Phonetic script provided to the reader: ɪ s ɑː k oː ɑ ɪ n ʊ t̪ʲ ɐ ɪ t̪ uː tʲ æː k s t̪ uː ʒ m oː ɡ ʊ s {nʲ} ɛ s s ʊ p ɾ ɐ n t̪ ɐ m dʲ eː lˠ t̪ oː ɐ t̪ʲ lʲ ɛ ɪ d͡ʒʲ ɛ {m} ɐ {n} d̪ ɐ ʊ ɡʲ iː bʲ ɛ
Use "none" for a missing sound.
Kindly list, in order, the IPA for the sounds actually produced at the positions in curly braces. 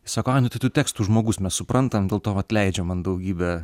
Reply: mʲ, m, n

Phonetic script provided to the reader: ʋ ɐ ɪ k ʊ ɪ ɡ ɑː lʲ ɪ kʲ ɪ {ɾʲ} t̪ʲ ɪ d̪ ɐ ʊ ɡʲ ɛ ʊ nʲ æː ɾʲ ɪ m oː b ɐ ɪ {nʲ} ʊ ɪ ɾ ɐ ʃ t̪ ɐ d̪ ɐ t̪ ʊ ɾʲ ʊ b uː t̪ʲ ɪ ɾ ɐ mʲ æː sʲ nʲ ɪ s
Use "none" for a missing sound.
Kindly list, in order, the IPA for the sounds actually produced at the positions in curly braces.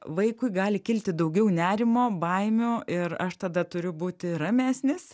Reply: lʲ, mʲ

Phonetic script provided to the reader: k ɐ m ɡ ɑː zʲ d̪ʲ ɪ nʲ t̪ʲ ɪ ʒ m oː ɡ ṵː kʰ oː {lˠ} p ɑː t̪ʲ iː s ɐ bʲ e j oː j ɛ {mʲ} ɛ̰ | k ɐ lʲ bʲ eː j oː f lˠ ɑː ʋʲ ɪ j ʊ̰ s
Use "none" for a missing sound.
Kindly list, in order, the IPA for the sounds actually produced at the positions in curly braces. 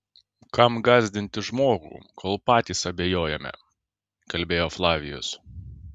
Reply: lˠ, mʲ

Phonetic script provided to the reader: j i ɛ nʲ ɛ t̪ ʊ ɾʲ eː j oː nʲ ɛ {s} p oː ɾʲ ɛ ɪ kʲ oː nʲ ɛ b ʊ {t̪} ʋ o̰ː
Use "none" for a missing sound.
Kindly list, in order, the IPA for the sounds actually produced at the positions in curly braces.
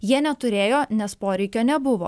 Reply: s, none

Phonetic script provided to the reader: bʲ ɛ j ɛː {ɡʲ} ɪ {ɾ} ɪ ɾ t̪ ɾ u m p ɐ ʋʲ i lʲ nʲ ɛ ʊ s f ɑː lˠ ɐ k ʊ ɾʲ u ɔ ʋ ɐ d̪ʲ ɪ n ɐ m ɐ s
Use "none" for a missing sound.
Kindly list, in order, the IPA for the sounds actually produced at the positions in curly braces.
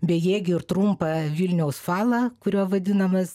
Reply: ɡʲ, none

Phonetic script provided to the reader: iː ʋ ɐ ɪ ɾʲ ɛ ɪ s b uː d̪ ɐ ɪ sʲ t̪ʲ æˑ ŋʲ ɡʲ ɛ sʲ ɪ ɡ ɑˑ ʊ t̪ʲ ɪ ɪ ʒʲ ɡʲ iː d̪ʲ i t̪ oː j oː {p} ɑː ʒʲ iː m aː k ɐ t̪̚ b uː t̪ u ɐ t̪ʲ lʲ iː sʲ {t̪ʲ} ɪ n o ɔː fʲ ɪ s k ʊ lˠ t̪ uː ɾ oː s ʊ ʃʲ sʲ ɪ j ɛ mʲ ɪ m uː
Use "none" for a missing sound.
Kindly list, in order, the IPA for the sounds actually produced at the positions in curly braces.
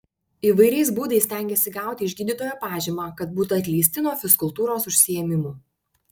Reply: p, t̪ʲ

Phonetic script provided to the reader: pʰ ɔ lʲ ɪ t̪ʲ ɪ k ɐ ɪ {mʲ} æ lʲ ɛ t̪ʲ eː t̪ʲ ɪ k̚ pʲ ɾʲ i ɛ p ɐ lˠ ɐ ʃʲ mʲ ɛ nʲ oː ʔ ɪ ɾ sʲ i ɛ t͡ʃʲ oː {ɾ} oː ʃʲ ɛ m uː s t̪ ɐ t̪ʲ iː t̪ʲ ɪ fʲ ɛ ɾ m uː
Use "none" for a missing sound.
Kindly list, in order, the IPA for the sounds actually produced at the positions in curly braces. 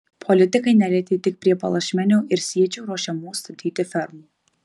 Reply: nʲ, ɾ

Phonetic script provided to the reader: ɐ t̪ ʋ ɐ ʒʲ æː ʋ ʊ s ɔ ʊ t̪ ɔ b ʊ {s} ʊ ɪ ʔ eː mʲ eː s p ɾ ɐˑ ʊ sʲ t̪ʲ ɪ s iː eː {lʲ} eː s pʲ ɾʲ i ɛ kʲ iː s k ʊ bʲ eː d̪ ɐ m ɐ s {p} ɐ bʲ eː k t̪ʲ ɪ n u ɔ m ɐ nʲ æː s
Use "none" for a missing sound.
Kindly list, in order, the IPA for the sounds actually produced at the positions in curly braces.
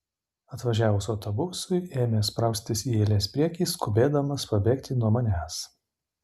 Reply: s, lʲ, p

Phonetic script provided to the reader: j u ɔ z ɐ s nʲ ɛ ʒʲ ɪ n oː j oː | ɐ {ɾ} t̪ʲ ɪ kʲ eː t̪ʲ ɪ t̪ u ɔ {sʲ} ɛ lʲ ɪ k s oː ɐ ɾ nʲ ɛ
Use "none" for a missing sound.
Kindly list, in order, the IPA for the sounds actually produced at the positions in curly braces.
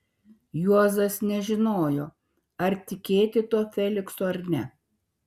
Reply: ɾ, fʲ

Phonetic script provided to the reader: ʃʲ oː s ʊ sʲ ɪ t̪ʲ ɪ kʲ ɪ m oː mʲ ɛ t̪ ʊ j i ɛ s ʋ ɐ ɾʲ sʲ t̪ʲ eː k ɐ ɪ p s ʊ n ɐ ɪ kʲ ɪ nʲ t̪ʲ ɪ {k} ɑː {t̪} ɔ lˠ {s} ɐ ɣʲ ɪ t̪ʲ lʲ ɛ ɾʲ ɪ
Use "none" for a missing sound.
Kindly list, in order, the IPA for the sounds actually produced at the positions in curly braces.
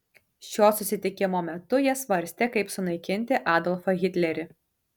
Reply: ʔ, d̪, f

